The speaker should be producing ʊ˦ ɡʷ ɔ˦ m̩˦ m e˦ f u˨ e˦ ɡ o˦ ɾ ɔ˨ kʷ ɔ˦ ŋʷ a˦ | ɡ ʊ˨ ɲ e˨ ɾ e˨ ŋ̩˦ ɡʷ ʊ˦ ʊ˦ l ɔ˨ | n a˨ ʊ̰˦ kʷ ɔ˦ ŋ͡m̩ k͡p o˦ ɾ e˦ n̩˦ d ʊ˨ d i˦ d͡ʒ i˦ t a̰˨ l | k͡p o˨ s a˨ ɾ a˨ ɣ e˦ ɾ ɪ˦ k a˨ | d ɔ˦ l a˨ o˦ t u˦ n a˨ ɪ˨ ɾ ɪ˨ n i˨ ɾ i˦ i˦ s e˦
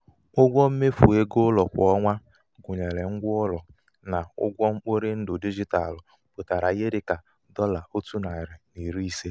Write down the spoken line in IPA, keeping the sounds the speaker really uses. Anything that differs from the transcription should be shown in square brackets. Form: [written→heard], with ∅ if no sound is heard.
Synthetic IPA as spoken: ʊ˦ ɡʷ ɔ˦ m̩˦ m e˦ f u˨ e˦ ɡ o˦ [ɾ→l] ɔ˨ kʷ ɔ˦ ŋʷ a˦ | ɡ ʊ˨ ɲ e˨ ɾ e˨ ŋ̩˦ ɡʷ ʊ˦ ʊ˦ l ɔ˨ | n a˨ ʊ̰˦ [kʷ→ɡʷ] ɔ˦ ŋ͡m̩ k͡p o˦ ɾ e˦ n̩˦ d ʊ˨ d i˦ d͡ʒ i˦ t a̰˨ l | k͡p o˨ [s→t] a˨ ɾ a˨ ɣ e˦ ɾ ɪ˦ k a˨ | d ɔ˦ l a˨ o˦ t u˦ n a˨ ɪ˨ ɾ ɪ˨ n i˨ ɾ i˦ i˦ s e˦